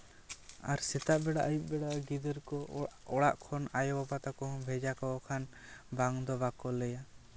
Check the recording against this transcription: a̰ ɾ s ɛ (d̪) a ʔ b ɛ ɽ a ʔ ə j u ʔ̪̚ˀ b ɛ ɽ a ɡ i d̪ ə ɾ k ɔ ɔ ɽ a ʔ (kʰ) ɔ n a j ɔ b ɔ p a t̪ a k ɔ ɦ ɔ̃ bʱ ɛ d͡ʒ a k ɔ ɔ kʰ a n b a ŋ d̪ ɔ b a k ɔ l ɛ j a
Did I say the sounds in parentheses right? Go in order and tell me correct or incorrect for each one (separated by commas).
incorrect, correct